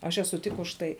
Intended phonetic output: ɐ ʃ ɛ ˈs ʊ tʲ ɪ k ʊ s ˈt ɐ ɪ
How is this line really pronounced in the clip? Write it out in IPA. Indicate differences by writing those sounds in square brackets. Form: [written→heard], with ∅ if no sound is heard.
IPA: ɐ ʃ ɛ ˈs ʊ tʲ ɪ k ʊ [s→ʃ] ˈt ɐ ɪ